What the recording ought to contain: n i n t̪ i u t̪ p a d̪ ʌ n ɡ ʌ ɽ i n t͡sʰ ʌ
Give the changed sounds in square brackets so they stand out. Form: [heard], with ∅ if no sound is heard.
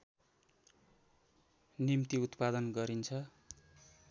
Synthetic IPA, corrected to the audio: n i [m] t̪ i u t̪ p a d̪ ʌ n ɡ ʌ [ɾ] i n t͡sʰ ʌ